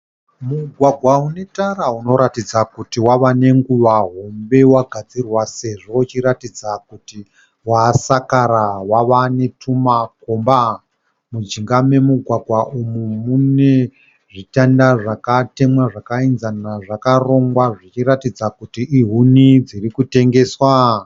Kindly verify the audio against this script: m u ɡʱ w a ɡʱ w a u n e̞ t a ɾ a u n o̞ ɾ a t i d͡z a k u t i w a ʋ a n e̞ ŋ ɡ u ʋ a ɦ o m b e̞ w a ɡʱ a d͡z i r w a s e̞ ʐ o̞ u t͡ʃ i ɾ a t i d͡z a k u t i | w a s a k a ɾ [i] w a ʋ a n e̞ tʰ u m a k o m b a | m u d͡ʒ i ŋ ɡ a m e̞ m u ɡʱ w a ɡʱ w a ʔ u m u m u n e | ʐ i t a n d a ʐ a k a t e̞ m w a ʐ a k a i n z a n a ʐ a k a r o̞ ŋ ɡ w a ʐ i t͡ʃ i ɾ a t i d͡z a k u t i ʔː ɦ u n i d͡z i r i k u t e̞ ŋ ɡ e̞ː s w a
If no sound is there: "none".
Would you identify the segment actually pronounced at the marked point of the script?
a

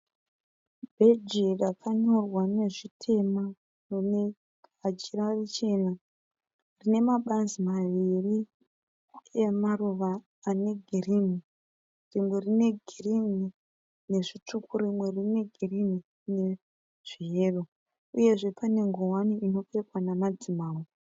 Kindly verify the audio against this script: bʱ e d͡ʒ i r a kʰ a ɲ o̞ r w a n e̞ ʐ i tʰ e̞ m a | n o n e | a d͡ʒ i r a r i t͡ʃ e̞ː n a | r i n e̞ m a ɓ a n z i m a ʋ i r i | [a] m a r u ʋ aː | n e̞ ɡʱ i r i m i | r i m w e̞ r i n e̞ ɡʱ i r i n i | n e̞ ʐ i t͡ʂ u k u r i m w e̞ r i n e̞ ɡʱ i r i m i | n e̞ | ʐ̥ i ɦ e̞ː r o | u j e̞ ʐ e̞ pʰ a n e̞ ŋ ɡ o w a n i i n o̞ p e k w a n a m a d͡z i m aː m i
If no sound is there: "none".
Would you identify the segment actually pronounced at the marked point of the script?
e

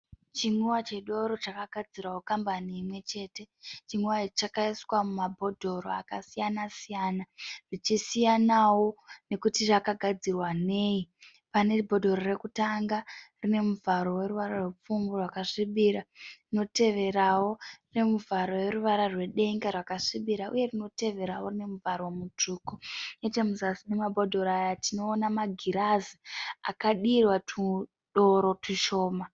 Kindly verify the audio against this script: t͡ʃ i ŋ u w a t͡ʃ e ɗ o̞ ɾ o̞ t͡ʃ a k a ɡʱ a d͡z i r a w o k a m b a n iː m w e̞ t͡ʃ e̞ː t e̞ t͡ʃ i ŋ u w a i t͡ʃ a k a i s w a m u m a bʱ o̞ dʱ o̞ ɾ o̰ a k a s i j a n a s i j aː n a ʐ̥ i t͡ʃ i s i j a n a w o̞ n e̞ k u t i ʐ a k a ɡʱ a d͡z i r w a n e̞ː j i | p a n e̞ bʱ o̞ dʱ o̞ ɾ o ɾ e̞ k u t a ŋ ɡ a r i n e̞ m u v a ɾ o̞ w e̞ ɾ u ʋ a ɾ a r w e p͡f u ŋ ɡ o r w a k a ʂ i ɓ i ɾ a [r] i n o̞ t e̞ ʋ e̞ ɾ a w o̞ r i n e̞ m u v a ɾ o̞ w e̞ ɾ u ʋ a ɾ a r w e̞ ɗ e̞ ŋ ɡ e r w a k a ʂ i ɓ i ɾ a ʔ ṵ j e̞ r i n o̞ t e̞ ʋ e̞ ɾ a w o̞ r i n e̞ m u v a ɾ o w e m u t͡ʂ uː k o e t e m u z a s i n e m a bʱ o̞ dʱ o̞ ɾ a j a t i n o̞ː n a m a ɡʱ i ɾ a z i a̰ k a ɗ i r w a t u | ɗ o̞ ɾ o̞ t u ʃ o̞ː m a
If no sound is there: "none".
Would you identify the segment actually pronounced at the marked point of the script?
r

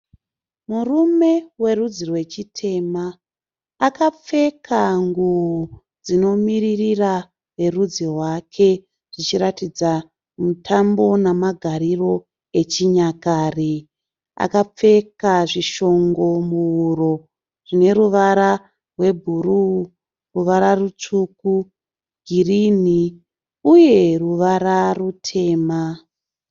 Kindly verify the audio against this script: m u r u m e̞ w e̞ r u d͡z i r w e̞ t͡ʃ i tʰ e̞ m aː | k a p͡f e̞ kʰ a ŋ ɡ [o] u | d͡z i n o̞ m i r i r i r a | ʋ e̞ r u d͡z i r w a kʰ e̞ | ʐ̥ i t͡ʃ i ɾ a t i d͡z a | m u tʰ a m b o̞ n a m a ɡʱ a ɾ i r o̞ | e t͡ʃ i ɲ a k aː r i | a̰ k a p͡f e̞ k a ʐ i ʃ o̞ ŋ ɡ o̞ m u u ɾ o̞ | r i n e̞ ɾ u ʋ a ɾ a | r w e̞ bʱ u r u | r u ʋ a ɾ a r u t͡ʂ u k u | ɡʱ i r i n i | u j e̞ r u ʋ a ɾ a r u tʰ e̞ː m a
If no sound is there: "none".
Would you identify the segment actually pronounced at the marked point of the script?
u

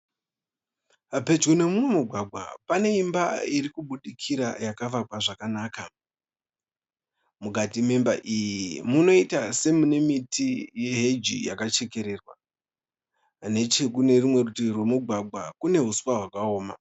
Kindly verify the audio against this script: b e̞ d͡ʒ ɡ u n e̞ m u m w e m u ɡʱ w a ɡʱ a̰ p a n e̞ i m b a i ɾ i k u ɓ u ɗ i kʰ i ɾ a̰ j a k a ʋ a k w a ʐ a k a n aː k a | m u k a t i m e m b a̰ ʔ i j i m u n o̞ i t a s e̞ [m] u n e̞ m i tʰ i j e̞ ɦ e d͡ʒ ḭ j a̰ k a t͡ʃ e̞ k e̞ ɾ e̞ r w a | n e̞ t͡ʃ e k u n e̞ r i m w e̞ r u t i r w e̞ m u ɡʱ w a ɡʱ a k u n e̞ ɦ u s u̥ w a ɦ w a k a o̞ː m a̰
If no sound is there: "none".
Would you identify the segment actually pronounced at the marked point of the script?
m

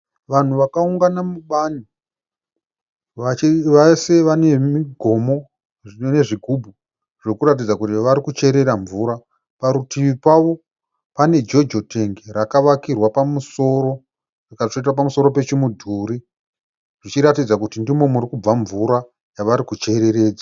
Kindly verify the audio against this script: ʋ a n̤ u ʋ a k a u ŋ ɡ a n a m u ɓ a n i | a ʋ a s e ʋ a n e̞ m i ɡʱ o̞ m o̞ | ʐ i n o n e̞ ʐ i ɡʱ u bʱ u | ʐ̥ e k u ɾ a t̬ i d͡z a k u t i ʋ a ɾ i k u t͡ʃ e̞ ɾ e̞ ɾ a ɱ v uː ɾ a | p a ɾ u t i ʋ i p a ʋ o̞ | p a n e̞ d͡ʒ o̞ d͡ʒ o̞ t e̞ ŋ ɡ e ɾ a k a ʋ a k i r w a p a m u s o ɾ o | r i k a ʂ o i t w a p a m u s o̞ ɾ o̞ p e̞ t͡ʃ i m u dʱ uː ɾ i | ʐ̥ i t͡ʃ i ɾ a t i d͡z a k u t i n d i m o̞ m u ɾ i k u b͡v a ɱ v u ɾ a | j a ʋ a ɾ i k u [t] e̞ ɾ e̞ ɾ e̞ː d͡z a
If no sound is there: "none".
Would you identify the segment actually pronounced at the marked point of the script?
t͡ʃ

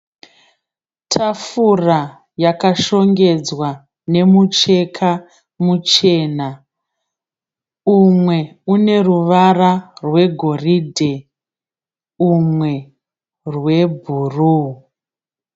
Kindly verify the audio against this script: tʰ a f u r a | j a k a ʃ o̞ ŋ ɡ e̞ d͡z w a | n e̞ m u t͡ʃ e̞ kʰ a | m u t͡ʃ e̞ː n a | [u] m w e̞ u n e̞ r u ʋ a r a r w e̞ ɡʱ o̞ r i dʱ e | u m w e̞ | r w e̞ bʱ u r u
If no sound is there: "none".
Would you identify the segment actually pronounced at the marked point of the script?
u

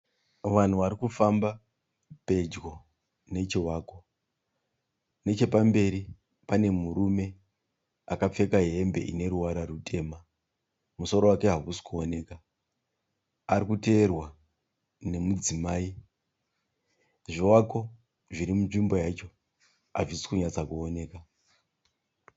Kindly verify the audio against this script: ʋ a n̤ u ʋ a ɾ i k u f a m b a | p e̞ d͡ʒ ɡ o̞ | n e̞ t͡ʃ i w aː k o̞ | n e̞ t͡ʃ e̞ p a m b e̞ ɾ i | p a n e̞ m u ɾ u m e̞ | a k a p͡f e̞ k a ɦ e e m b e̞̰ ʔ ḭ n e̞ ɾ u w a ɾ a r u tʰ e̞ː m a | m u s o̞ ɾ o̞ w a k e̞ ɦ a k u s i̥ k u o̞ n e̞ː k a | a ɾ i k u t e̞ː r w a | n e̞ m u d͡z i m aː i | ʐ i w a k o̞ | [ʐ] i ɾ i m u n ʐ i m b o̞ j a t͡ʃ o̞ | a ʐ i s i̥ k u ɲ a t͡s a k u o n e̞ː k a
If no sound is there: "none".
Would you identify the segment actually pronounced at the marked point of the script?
ʐ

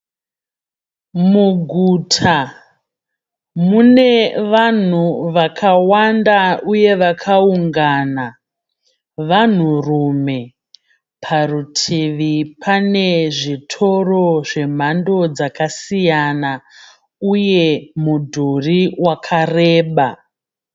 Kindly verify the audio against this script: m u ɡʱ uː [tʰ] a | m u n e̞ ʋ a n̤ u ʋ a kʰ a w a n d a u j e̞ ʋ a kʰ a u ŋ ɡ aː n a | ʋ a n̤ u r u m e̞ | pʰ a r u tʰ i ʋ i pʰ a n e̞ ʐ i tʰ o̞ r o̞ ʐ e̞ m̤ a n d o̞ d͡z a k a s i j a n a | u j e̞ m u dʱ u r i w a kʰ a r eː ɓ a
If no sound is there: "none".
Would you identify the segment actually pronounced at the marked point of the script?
tʰ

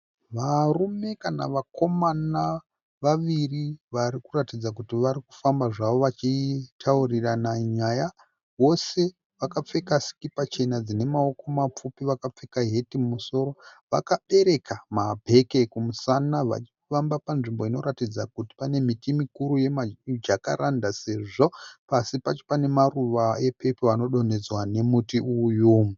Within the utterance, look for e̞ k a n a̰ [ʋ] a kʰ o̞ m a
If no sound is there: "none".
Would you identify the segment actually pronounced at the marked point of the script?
ʋ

